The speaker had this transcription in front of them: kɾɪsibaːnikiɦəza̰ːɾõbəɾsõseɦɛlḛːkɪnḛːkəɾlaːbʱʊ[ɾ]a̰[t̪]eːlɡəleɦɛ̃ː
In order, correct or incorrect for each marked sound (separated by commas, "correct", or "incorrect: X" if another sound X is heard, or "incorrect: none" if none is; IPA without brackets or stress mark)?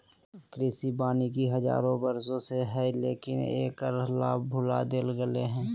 incorrect: l, incorrect: d̪